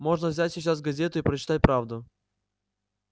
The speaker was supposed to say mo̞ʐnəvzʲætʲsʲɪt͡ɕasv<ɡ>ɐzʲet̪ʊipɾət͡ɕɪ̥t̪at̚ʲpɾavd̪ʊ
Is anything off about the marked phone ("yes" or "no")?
no